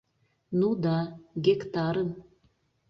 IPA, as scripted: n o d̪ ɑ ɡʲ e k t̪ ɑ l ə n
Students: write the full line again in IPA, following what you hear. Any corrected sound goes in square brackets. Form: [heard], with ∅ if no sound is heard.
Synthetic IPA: n [u] d̪ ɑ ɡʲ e k t̪ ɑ [ɾ] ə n